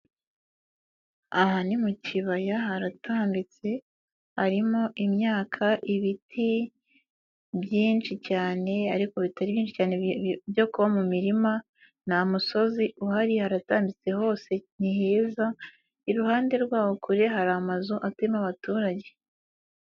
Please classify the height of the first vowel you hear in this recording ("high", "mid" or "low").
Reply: low